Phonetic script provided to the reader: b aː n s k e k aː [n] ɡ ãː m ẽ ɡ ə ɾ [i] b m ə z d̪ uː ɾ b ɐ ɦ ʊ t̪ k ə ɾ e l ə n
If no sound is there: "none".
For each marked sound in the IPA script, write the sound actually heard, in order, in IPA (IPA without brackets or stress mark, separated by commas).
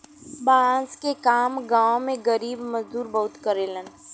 m, iː